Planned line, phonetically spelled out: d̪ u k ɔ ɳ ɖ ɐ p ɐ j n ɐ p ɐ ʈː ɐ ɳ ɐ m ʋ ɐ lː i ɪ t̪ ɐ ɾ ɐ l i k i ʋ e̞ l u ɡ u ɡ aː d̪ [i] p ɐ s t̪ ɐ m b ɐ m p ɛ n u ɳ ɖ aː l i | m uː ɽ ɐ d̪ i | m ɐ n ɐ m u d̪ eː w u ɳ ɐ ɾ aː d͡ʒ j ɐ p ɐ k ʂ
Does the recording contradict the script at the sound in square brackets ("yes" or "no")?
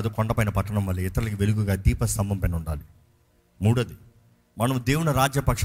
yes